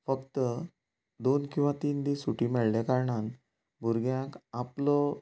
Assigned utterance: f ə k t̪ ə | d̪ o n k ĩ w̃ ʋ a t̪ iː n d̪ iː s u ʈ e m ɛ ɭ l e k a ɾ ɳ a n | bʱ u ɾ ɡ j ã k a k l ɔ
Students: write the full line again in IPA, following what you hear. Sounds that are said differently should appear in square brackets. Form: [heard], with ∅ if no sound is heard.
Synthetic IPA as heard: f ə k t̪ ə | d̪ o n k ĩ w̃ ʋ a t̪ iː n d̪ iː s u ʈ [i] m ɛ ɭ l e k a ɾ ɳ a n | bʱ u ɾ ɡ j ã k a [p] l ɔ